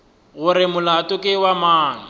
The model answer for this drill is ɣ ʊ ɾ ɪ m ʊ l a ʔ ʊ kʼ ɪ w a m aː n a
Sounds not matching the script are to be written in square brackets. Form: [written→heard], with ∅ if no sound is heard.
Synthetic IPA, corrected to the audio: ɣ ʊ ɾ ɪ m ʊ l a [ʔ→t] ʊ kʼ ɪ w a m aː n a